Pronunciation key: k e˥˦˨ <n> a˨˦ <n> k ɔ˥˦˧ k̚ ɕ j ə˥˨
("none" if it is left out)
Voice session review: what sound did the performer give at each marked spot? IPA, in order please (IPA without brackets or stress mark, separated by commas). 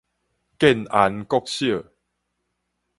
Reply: n, n